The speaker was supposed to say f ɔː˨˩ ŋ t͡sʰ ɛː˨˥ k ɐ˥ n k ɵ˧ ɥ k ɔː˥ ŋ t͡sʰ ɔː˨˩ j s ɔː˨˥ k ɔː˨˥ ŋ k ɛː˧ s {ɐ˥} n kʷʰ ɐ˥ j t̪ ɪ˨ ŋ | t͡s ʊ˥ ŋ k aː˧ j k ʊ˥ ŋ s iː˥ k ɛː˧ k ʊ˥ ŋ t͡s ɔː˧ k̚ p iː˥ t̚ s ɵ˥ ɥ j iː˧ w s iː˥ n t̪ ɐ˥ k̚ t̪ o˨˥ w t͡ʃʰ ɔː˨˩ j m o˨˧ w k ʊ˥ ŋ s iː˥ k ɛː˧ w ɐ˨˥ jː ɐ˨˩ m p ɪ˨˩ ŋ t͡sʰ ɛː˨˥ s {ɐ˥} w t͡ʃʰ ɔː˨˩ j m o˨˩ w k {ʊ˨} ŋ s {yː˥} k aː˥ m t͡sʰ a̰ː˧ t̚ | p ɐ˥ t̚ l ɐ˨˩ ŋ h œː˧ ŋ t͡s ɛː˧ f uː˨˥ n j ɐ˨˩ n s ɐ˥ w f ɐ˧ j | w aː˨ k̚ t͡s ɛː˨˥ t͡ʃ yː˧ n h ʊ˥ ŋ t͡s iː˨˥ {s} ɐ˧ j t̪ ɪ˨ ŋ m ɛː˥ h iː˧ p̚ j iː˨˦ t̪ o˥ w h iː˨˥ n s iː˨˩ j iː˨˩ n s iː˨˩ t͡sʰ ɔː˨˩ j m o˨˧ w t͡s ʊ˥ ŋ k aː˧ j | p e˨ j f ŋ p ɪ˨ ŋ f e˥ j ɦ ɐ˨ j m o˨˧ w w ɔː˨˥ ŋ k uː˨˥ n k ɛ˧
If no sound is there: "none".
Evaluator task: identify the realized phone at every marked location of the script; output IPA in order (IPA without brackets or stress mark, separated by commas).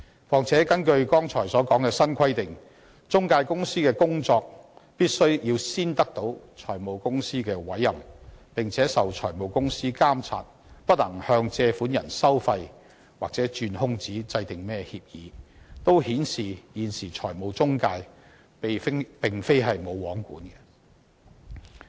ɐ˥, ɐ˨, ʊ˥, iː˥, t͡s